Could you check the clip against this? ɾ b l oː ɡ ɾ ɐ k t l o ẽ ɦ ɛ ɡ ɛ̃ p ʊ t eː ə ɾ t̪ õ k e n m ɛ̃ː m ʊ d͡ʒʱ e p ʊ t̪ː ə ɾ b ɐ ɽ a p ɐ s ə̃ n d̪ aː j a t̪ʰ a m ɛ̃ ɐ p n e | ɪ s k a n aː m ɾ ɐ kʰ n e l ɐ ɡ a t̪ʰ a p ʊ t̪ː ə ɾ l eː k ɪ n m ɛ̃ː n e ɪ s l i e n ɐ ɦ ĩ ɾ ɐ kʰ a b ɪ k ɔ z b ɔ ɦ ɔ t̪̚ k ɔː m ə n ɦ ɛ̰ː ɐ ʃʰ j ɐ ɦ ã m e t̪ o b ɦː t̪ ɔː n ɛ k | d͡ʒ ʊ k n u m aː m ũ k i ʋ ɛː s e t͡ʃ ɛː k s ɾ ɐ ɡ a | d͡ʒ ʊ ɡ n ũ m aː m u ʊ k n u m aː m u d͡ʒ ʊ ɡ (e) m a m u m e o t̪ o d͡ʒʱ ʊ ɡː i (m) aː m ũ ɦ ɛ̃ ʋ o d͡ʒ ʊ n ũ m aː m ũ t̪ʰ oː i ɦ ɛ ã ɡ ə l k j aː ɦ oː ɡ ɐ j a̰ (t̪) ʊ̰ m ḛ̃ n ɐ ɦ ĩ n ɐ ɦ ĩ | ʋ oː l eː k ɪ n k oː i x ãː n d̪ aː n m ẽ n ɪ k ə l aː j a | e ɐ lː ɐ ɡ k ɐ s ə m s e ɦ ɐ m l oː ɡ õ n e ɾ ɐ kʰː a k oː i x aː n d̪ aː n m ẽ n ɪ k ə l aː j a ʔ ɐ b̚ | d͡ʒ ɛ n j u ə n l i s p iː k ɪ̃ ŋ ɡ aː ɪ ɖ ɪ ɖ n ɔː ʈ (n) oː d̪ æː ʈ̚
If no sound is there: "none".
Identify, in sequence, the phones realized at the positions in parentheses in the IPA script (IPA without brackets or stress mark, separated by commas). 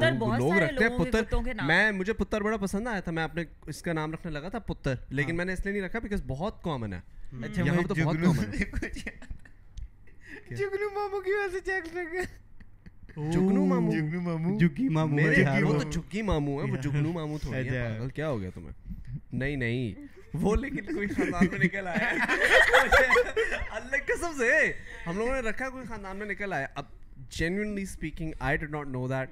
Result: i, m, t̪, n